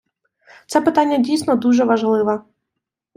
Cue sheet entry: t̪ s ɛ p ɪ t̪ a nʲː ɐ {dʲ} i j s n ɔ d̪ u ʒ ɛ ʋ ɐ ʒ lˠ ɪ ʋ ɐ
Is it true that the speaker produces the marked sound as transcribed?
yes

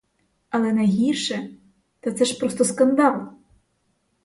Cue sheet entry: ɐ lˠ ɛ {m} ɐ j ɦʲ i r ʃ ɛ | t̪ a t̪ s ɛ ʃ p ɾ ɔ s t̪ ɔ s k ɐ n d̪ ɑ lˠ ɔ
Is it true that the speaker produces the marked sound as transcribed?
no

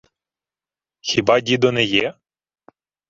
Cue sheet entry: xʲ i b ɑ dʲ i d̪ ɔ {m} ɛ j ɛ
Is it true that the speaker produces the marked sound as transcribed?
no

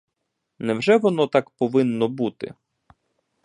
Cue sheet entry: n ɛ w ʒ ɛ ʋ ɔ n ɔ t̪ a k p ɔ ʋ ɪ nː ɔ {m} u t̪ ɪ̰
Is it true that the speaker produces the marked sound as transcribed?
no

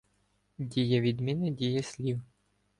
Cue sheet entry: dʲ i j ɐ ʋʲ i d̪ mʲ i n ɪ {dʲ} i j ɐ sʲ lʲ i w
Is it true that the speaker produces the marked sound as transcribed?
yes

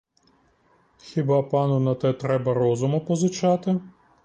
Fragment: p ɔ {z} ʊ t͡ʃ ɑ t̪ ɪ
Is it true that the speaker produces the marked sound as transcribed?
yes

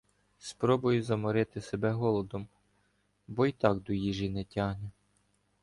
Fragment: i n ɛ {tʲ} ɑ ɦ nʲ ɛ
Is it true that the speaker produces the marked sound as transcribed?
yes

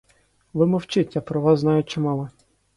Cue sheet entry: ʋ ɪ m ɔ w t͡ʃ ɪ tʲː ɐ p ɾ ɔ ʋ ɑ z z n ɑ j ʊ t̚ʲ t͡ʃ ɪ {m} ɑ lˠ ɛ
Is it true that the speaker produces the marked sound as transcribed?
yes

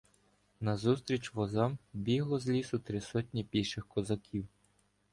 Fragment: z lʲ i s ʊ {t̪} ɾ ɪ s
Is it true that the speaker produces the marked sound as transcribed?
yes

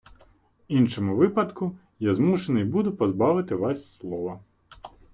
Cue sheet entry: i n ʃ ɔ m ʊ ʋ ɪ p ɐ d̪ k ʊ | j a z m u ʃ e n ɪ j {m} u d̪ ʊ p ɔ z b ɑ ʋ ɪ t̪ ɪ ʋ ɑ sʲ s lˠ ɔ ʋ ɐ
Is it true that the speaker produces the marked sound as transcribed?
no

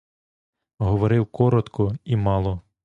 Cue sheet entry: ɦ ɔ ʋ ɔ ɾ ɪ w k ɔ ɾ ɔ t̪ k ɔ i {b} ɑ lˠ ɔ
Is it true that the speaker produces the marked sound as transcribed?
no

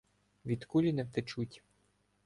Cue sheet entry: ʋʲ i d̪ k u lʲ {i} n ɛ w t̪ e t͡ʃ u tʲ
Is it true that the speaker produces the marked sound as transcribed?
yes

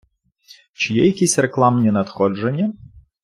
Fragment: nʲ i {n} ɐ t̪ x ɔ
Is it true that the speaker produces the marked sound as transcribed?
yes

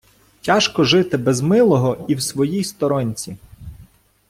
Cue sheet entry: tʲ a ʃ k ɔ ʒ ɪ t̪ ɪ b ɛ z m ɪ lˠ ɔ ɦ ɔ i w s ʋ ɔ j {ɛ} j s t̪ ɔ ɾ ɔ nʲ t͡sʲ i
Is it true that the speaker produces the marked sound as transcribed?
no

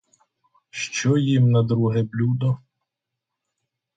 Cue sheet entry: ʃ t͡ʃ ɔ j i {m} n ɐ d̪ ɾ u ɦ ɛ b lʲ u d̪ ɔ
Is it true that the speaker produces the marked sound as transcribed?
yes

